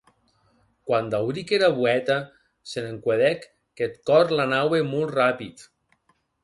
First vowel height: low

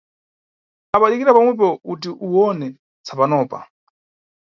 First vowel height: low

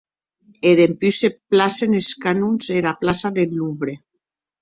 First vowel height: mid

